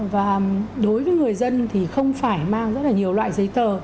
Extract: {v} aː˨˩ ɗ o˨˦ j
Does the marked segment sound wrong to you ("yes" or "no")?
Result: no